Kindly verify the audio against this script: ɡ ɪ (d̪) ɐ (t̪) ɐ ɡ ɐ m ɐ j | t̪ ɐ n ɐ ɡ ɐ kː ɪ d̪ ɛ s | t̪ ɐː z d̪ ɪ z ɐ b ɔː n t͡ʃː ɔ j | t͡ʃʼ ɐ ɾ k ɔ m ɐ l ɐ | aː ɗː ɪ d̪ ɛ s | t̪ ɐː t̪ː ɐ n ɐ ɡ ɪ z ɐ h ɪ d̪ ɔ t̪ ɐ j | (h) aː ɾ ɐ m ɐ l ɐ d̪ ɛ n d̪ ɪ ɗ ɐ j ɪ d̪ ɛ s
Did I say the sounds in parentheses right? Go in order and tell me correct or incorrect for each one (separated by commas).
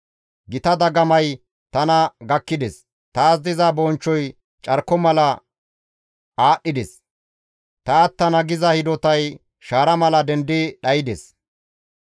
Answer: incorrect, incorrect, incorrect